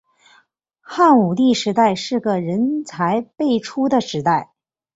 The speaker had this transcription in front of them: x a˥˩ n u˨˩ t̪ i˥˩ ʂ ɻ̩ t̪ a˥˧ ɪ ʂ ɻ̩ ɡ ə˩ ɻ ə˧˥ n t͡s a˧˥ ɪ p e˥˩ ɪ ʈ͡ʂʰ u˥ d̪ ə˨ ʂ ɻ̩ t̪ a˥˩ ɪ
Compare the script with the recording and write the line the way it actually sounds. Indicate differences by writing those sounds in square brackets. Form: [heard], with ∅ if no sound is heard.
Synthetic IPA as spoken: x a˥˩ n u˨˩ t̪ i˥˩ ʂ ɻ̩ t̪ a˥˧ ɪ ʂ ɻ̩ ɡ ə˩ ɻ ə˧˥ n [t͡sʰ] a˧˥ ɪ p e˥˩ ɪ ʈ͡ʂʰ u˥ d̪ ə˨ ʂ ɻ̩ t̪ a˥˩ ɪ